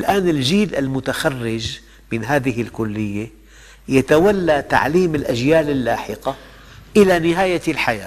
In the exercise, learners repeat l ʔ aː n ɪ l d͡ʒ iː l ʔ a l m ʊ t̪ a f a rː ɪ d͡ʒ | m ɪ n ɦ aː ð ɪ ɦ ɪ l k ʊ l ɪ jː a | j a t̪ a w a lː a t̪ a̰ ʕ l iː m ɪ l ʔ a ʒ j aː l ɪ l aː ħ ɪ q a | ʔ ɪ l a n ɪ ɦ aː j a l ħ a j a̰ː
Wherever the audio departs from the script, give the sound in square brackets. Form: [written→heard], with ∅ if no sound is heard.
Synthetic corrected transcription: l ʔ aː n ɪ l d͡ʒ iː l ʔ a l m ʊ t̪ a [f→x] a rː ɪ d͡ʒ | m ɪ n ɦ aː ð ɪ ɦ ɪ l k ʊ [l→lː] ɪ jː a | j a t̪ a w a lː a t̪ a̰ ʕ l iː m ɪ l ʔ a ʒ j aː l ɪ [l→lː] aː ħ ɪ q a | ʔ ɪ l a n ɪ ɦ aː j a l ħ a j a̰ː